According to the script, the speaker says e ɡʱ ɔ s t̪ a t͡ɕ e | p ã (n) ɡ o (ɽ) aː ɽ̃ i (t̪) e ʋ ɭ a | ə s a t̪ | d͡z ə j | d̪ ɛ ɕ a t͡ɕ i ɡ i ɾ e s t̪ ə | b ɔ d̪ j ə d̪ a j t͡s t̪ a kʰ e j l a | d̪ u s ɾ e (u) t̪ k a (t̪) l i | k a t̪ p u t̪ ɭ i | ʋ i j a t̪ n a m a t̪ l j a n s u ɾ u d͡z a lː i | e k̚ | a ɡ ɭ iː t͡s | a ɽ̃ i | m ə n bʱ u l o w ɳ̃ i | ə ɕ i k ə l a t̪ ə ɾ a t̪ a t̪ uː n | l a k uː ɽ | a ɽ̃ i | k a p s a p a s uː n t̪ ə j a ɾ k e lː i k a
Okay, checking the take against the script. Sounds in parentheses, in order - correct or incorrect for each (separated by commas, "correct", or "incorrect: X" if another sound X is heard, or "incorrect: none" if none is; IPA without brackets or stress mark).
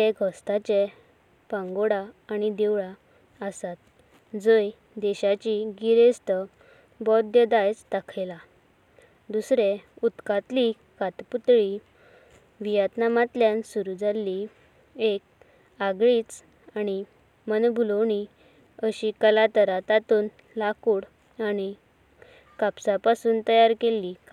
incorrect: ŋ, correct, incorrect: d̪, correct, correct